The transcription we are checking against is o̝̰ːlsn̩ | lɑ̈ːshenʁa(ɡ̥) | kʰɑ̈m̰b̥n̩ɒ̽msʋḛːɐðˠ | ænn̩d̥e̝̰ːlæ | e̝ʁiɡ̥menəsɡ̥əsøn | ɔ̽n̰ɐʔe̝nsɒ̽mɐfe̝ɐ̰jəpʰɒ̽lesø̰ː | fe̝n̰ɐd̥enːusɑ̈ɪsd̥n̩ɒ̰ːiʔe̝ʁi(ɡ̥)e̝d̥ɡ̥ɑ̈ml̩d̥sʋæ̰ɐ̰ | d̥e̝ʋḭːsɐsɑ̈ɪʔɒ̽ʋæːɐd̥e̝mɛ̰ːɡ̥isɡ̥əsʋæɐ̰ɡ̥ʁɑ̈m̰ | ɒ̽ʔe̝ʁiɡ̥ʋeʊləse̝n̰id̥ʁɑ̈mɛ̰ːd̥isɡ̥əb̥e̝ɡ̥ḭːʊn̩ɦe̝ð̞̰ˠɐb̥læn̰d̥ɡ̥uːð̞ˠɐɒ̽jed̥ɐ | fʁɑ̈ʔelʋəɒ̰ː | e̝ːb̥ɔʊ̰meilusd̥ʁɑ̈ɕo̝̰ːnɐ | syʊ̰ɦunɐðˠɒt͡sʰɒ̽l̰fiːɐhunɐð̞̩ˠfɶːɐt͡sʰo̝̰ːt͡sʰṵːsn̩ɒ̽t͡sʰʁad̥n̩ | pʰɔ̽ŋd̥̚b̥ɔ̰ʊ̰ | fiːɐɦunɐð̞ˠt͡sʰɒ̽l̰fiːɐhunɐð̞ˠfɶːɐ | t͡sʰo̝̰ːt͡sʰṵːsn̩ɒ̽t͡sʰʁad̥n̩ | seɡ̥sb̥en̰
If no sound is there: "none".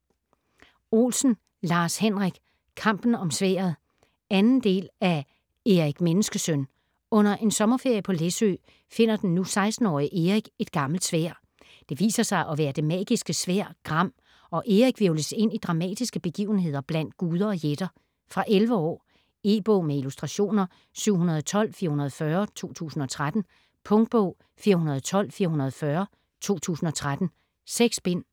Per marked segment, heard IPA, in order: ɡ̥, ɡ̥

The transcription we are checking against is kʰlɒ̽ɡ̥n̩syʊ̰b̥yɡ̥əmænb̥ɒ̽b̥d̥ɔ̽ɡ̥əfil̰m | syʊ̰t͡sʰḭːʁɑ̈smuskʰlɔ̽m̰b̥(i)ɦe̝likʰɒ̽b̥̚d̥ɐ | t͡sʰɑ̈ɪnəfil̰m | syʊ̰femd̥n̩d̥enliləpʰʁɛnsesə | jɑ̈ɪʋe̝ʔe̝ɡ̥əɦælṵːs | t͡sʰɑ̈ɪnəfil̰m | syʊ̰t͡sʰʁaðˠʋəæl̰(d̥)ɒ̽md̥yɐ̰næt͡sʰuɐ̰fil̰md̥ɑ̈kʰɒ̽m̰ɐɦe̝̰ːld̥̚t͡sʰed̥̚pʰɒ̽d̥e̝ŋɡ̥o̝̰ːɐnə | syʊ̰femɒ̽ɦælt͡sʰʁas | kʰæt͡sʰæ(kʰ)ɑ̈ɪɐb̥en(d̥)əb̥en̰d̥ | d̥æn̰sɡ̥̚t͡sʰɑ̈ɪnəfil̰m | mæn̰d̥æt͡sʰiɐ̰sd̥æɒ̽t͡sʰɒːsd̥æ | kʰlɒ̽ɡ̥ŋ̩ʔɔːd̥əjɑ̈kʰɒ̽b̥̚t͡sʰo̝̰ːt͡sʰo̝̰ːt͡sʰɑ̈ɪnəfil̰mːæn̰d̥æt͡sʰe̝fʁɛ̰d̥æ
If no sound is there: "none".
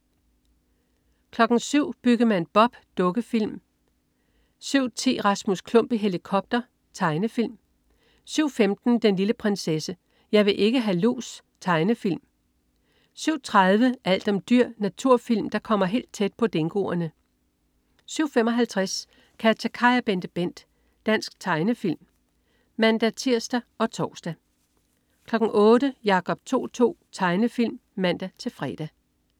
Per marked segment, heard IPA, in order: i, d̥, kʰ, d̥

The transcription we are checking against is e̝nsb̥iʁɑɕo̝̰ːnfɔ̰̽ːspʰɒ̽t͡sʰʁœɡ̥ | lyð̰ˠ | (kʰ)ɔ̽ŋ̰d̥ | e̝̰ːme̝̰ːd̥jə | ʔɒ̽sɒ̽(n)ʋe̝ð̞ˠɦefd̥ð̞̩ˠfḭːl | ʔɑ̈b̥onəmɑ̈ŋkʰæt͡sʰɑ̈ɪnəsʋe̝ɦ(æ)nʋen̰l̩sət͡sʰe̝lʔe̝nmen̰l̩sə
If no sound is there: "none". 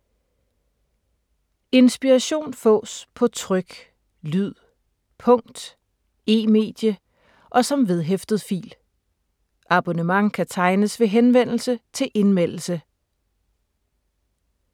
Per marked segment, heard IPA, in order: pʰ, m, e

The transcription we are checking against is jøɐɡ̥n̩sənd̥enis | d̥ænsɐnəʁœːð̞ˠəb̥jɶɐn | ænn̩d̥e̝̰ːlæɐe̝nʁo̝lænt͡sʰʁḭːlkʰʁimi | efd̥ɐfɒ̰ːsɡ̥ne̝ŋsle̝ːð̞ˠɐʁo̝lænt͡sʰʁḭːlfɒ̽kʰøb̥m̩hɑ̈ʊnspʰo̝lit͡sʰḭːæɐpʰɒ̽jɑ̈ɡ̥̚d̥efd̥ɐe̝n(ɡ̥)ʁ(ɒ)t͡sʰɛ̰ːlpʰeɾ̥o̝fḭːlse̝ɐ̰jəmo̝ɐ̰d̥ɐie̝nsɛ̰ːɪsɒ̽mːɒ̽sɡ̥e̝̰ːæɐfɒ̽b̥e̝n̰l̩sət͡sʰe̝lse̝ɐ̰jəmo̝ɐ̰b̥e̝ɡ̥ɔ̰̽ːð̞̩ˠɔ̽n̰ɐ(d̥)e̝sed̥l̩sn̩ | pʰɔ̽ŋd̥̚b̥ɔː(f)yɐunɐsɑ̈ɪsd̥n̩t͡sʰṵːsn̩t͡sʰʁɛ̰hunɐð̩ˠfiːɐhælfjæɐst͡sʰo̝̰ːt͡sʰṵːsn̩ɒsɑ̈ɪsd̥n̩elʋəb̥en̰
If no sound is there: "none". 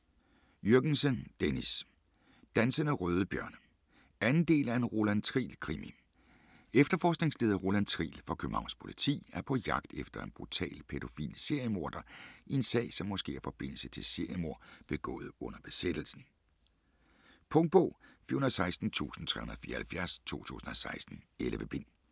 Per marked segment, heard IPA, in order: b̥, u, b̥, f

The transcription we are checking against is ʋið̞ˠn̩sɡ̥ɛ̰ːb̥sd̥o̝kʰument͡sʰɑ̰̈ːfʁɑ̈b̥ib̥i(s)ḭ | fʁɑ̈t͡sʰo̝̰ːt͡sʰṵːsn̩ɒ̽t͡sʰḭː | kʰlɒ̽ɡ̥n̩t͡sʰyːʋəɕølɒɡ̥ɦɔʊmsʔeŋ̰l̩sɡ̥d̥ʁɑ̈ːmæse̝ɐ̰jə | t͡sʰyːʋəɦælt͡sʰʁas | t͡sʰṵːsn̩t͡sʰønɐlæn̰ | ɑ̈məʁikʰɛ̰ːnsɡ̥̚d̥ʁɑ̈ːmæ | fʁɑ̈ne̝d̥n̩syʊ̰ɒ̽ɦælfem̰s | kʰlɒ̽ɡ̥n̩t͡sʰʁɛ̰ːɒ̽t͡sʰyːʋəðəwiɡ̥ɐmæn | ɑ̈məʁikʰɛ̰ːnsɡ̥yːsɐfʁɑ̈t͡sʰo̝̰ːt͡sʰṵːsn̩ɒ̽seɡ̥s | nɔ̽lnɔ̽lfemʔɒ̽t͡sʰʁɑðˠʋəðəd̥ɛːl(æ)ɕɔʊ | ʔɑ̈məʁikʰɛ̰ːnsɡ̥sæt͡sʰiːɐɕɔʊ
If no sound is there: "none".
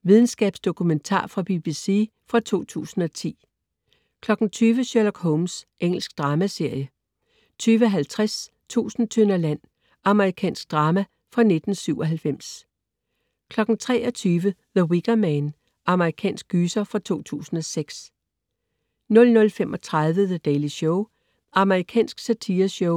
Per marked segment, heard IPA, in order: s, i

